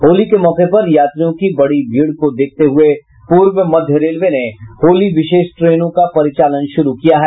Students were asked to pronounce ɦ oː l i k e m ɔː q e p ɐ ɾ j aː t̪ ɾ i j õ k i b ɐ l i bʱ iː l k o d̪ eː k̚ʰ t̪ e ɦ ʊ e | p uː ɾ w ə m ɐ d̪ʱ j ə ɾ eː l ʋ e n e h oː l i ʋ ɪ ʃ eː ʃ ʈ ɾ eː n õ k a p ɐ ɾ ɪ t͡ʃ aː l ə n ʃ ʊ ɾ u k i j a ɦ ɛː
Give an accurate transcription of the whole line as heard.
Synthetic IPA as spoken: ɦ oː l i k e m ɔː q e p ɐ ɾ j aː t̪ ɾ i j õ k i b ɐ ɽ i bʱ iː ɽ k o d̪ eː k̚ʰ t̪ e ɦ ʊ e | p uː ɾ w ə m ɐ d̪ʱ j ə ɾ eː l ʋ e n e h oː l i ʋ ɪ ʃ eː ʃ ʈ ɾ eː n õ k a p ɐ ɾ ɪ t͡ʃ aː l ə n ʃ ʊ ɾ u k i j a ɦ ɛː